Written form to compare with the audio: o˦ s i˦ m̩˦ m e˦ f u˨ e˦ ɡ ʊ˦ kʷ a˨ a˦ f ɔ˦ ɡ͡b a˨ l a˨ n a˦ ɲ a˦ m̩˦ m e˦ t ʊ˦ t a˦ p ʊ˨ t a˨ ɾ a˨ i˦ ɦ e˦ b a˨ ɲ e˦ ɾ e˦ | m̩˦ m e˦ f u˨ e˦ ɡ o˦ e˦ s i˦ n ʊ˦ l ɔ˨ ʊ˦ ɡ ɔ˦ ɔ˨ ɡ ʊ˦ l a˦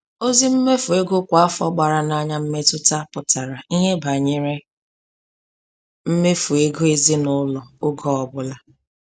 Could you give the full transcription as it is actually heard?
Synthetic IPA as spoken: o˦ z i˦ m̩˦ m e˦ f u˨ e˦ ɡ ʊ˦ kʷ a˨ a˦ f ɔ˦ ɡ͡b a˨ ɾ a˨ n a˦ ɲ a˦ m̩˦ m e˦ t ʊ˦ t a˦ p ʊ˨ t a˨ ɾ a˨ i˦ ɦ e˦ b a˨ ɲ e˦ ɾ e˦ | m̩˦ m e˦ f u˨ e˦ ɡ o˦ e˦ z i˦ n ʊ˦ l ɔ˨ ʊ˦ ɡ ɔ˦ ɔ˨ b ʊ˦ l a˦